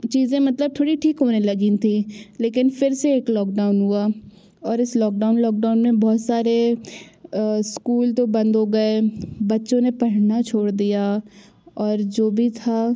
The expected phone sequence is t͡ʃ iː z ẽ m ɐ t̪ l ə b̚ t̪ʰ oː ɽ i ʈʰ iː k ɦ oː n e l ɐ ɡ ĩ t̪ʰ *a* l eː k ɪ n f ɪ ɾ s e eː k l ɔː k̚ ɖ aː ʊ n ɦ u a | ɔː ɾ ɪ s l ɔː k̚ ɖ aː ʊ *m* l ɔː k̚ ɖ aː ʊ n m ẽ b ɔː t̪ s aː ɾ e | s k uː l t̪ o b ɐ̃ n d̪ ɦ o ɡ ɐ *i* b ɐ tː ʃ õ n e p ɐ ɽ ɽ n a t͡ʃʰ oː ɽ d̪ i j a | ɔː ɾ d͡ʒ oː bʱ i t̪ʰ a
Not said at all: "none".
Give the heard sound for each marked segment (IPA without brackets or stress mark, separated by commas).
i, n, e